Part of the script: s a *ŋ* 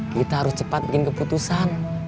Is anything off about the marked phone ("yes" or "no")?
yes